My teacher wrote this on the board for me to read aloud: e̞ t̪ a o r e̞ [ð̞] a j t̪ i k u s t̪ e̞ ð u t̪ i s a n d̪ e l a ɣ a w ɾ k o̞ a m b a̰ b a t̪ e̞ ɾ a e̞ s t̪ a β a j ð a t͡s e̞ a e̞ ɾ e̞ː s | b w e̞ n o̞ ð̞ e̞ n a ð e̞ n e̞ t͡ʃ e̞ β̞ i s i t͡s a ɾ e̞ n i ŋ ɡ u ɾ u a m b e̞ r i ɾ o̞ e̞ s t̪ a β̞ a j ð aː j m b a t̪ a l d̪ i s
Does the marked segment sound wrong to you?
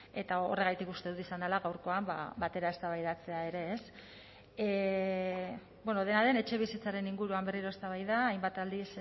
yes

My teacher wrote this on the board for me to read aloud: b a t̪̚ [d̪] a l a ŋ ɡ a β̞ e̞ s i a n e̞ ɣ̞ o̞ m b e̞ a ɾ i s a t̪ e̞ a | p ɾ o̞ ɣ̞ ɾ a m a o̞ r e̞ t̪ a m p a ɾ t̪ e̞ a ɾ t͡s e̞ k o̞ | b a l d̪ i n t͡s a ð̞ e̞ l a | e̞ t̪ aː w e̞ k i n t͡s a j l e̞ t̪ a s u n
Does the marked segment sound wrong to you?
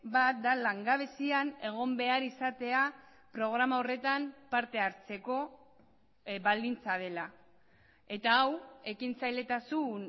no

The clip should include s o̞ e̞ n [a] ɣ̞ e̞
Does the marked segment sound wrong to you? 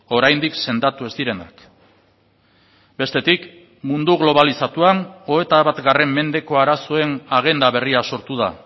no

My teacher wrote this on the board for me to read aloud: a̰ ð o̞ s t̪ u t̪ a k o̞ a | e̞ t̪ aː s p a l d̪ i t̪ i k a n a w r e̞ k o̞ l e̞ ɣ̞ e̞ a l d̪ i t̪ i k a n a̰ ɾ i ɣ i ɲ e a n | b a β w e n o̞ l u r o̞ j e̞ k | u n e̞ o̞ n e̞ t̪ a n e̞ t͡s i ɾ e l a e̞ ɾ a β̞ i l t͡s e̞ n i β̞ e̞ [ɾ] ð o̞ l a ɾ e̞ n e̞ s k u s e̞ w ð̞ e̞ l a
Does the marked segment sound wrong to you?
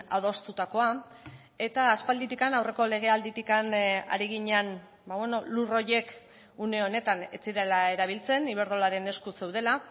no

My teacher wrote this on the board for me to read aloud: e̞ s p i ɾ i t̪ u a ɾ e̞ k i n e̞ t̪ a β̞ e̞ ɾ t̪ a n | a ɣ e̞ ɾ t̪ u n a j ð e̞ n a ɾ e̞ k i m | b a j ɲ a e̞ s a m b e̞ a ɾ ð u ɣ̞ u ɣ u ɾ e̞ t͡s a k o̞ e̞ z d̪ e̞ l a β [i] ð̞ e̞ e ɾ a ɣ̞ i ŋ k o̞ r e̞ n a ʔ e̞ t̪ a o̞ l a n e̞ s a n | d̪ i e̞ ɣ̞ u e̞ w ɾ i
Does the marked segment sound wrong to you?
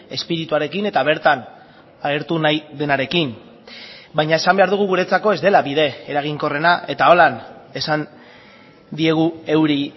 no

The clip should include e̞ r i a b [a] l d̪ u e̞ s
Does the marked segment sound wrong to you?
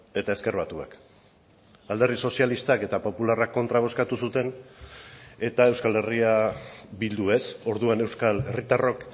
yes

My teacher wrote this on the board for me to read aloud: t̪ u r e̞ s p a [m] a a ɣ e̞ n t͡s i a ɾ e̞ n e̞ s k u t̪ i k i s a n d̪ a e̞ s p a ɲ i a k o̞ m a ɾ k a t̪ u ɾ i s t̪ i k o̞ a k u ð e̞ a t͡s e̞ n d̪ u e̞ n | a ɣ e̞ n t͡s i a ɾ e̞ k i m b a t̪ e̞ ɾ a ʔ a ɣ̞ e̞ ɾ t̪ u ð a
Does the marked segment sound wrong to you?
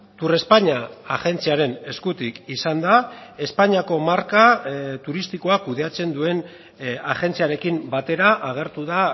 yes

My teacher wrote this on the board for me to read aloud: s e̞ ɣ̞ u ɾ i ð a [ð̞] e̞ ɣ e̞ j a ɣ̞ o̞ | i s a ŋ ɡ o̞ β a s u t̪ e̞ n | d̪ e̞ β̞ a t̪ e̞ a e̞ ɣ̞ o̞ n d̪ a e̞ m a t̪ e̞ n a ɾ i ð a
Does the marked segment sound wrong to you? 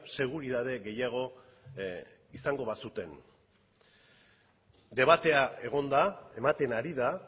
no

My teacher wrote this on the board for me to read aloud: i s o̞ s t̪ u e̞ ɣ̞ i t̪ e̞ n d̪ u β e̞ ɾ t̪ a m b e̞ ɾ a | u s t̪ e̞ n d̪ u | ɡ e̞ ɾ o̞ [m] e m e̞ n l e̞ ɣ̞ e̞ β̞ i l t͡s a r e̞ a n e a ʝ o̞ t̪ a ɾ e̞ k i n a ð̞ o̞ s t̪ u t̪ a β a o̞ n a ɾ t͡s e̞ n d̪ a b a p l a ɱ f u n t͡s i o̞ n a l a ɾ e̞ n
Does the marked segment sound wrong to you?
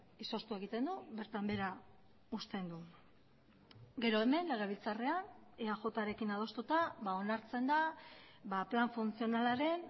yes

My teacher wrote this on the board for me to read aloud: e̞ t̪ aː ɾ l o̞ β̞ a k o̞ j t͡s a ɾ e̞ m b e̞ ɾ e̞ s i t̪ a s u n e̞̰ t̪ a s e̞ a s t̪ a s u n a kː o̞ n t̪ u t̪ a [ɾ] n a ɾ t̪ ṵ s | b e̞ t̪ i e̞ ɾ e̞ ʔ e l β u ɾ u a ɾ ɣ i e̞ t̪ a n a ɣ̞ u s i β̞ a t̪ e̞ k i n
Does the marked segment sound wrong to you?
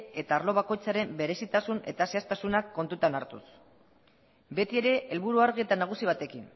yes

